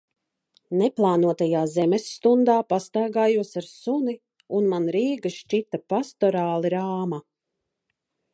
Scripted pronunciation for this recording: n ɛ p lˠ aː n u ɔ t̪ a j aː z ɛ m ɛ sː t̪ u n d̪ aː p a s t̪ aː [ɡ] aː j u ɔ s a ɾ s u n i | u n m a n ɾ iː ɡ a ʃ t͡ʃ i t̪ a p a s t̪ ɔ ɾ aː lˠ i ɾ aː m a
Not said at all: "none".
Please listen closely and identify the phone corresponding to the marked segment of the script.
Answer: ɡ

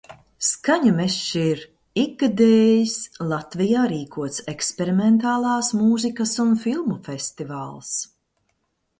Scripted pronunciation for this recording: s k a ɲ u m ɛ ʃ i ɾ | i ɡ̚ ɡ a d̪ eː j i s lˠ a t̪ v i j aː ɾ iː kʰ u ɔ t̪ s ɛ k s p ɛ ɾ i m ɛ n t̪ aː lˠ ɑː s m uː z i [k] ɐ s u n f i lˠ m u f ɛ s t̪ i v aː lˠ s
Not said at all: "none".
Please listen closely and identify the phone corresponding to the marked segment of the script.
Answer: k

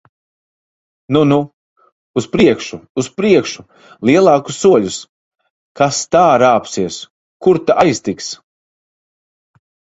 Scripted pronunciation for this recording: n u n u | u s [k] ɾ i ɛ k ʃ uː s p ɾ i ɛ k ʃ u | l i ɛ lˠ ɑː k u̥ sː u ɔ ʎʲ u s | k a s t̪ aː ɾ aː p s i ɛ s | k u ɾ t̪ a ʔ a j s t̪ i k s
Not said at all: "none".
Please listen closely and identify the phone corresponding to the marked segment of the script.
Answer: p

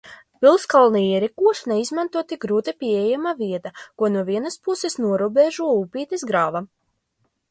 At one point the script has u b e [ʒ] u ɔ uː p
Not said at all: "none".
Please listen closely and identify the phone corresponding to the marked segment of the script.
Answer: ʒ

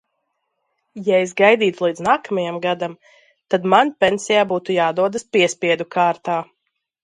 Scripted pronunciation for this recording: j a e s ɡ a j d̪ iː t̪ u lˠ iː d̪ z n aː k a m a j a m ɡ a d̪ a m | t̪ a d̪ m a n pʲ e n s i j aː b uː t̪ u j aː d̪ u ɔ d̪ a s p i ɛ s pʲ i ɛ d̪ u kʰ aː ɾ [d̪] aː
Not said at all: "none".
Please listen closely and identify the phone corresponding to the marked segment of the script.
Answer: t̪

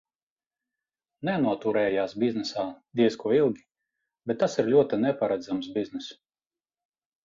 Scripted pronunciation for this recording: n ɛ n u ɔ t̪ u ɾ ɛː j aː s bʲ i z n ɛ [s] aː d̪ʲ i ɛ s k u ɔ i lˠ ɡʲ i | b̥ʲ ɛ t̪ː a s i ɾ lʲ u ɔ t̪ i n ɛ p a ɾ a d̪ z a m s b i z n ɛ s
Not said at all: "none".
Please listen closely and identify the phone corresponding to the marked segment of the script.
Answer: s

